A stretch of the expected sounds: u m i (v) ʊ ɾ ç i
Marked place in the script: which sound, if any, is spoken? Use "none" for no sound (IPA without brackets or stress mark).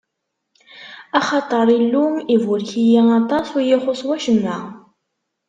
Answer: v